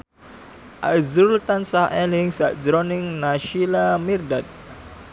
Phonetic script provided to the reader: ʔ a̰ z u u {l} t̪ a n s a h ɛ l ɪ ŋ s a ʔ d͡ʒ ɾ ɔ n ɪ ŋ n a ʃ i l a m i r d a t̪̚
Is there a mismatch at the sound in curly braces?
no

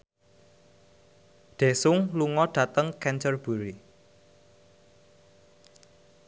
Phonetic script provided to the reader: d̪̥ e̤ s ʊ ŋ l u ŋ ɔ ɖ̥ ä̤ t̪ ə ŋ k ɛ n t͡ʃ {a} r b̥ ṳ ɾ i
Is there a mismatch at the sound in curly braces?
yes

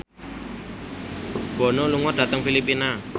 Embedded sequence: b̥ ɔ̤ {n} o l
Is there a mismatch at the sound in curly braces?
no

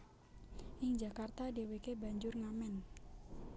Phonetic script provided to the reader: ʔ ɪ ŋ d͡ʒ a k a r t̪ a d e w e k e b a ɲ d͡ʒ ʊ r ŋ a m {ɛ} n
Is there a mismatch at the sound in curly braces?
no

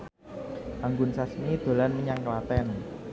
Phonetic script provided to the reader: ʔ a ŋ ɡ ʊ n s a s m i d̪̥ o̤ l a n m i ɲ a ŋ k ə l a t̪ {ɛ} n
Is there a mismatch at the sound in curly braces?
no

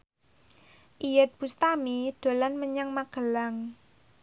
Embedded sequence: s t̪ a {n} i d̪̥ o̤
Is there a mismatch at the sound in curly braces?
yes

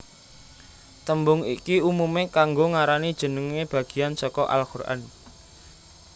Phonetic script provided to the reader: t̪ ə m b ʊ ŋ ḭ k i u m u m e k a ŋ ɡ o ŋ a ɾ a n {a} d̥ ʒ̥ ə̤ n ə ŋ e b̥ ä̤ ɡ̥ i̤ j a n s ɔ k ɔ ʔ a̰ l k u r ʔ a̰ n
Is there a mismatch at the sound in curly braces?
yes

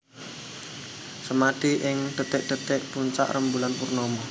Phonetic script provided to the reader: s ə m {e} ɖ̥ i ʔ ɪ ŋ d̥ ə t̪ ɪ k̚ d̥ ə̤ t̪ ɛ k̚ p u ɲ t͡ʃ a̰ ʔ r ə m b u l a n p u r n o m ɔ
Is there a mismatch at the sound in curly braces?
yes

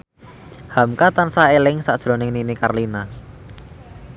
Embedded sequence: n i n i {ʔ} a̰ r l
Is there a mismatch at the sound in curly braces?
yes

